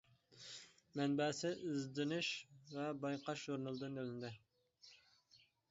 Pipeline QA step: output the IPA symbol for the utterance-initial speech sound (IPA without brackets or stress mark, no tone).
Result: m